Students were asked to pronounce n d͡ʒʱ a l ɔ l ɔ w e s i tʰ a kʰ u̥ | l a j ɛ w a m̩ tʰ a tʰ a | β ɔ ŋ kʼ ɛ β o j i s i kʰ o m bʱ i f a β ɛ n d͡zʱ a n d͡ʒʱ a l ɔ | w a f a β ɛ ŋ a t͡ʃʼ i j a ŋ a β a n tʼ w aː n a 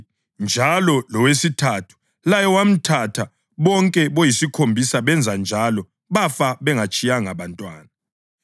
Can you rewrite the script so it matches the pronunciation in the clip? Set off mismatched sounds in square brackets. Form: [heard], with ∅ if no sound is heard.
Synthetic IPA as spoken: n d͡ʒʱ a l ɔ l ɔ w e s i tʰ a [tʰ] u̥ | l a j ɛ w a m̩ tʰ a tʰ a | β ɔ ŋ kʼ ɛ β o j i s i kʰ o m bʱ i [s] a β ɛ n d͡zʱ a n d͡ʒʱ a l ɔ | [β] a f a β ɛ ŋ a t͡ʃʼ i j a ŋ a β a n tʼ w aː n a

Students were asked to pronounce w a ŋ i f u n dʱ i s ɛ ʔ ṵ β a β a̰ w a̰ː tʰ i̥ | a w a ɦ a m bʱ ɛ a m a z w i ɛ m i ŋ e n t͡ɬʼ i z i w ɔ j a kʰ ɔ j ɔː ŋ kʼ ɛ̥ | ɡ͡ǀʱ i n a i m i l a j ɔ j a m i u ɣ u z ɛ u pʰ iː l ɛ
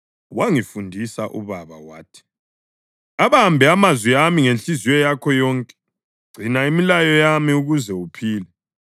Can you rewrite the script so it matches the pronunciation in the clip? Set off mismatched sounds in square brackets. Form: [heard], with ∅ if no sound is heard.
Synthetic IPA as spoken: w a ŋ i f u n dʱ i s [a] ʔ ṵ β a β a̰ w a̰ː tʰ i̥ | a [β] a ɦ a m bʱ ɛ a m a z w i [a] m i ŋ e n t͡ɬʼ i z i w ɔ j a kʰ ɔ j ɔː ŋ kʼ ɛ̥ | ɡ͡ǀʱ i n a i m i l a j ɔ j a m i u ɣ u z ɛ u pʰ iː l ɛ

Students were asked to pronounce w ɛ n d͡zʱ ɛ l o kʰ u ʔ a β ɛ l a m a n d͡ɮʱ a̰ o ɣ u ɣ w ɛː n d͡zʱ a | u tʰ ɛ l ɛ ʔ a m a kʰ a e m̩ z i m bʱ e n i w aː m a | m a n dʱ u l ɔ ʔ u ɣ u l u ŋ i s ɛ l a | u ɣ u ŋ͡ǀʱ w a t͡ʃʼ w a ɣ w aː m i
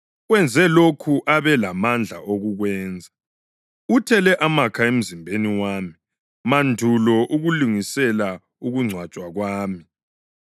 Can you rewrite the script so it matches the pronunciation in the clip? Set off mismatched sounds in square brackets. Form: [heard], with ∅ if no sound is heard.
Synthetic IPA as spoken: w ɛ n d͡zʱ ɛ l o kʰ u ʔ a β ɛ l a m a n d͡ɮʱ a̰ o ɣ u ɣ w ɛː n d͡zʱ a | u tʰ ɛ l ɛ ʔ a m a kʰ a e m̩ z i m bʱ e n i w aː m [i] | m a n dʱ u l ɔ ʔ u ɣ u l u ŋ i s ɛ l a | u ɣ u ŋ͡ǀʱ w a t͡ʃʼ w a ɣ w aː m i

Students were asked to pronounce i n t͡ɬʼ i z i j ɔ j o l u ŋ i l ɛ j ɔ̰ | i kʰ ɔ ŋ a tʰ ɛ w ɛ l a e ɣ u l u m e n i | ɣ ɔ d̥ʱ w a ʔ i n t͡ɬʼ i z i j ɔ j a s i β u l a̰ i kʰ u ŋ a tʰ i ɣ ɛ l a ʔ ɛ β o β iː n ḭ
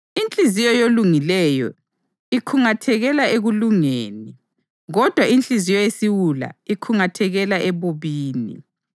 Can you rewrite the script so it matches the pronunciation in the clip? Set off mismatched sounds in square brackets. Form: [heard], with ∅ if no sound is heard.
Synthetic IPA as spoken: i n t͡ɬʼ i z i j ɔ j o l u ŋ i l ɛ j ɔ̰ | i kʰ [u] ŋ a tʰ ɛ [ɣ] ɛ l a e ɣ u l u [ŋ] e n i | ɣ ɔ d̥ʱ w a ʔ i n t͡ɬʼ i z i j ɔ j [e] s i [w] u l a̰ i kʰ u ŋ a tʰ [ɛ] ɣ ɛ l a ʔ ɛ β o β iː n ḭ

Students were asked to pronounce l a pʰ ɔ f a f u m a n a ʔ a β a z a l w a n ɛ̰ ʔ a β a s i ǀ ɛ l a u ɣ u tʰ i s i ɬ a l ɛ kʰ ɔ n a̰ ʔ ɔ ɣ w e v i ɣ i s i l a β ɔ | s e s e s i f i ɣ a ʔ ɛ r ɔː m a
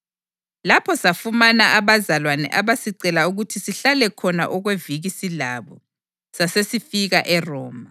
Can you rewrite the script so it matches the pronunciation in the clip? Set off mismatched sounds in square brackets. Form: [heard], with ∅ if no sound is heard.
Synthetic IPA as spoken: l a pʰ ɔ [s] a f u m a n a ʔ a β a z a l w a n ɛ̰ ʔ a β a s i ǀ ɛ l a u ɣ u tʰ i s i ɬ a l ɛ kʰ ɔ n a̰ ʔ ɔ ɣ w e v i ɣ i s i l a β ɔ | s [a] s e s i f i ɣ a ʔ ɛ r ɔː m a

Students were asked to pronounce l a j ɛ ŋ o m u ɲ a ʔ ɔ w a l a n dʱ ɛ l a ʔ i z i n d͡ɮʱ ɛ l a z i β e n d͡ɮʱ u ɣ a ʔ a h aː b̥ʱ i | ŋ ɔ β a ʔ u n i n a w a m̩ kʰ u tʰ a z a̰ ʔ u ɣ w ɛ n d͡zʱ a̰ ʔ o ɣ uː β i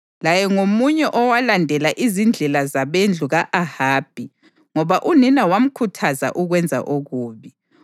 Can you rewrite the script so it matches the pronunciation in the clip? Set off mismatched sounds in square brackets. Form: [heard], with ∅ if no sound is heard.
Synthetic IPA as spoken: l a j ɛ ŋ o m u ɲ [ɛ] ʔ ɔ w a l a n dʱ ɛ l a ʔ i z i n d͡ɮʱ ɛ l a z [a] β e n d͡ɮʱ u ɣ a ʔ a h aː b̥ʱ i | ŋ ɔ β a ʔ u n i n a w a m̩ kʰ u tʰ a z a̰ ʔ u ɣ w ɛ n d͡zʱ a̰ ʔ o ɣ uː β i

